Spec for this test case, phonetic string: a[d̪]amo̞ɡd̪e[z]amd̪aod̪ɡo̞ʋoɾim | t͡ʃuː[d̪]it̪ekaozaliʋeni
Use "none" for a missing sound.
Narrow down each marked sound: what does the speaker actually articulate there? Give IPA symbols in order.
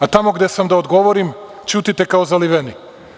t̪, s, t̪

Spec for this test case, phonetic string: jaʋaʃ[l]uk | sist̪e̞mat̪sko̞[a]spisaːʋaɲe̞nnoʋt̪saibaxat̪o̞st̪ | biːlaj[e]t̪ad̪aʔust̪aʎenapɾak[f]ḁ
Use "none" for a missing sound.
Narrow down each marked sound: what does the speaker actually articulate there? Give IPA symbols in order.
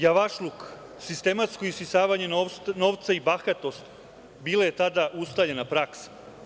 l, i, e, s

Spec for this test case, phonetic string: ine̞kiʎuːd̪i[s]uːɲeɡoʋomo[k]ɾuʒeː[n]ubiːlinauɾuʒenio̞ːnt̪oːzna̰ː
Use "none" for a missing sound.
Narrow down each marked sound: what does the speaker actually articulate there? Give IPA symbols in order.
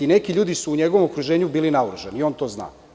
s, k, ɲ

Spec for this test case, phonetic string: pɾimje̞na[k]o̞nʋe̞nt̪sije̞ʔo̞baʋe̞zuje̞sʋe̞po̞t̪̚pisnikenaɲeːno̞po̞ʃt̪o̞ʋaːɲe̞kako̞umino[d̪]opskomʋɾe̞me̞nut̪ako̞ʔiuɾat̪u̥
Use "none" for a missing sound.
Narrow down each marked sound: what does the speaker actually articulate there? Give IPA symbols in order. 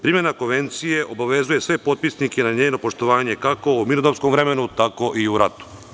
k, d̪

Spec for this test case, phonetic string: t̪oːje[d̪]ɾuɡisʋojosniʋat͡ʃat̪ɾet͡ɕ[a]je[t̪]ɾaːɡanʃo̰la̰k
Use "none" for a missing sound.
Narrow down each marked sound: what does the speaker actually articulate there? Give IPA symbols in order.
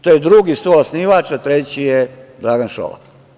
d̪, i, d̪

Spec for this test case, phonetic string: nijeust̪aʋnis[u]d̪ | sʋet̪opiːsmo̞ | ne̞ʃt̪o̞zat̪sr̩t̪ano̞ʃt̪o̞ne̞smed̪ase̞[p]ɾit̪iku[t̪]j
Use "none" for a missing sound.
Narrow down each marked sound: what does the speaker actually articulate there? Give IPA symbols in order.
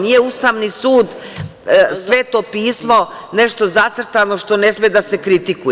uː, k, none

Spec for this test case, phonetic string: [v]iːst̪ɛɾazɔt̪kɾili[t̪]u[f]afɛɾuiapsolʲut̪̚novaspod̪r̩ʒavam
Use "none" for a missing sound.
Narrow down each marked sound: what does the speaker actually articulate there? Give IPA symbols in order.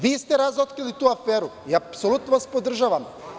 v, t̪, none

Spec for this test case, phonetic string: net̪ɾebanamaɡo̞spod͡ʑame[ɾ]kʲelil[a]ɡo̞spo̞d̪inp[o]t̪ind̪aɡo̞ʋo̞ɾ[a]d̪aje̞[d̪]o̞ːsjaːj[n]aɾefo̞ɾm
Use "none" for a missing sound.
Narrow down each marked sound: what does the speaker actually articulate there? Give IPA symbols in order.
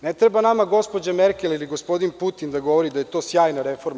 ɾ, i, u, i, t̪, n

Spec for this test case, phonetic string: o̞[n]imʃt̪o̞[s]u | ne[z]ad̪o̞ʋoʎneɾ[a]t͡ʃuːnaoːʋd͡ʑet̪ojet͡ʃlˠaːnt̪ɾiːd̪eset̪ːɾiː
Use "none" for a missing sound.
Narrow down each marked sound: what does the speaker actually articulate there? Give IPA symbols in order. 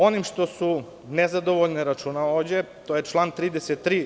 n, s, z, a

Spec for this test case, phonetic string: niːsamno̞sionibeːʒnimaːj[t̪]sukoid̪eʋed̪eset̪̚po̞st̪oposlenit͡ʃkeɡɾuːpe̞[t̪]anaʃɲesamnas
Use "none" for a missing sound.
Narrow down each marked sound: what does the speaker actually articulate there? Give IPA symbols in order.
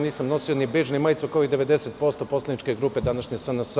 t̪, d̪

